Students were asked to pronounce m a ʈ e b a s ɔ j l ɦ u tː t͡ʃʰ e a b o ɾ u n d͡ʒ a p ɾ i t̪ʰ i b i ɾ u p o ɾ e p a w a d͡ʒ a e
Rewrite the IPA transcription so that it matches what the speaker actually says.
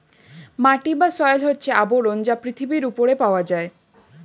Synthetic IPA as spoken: m a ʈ i b a s ɔ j l ɦ o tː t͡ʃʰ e a b o ɾ o n d͡ʒ a p ɾ i t̪ʰ i b i ɾ u p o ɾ e p a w a d͡ʒ a e

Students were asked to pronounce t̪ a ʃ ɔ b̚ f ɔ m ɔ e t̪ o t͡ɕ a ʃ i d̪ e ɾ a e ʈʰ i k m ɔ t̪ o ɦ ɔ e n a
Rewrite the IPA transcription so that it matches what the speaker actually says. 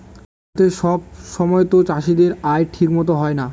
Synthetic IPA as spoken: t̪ e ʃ ɔ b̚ ʃ ɔ m ɔ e t̪ o t͡ɕ a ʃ i d̪ e ɾ a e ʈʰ i k m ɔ t̪ o ɦ ɔ e n a

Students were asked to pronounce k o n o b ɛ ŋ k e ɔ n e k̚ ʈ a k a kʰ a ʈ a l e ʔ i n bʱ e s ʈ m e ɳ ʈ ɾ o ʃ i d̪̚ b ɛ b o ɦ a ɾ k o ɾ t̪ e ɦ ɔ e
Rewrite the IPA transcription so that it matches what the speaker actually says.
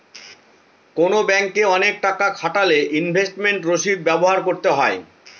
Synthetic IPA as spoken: k o n o b ɛ ŋ k e ɔ n e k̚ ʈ a k a kʰ a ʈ a l e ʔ i n bʱ e s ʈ m e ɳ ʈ ɾ o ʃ i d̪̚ b ɛ b o ɦ a ɾ k o ɾ t̪ e ɦ ɔ e

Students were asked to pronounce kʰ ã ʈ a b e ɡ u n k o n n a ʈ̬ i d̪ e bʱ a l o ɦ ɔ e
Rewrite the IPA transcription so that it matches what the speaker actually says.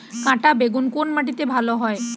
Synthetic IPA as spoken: k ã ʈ a b e ɡ u n k o n m a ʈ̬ i t̪ e bʱ a l o ɦ ɔ e

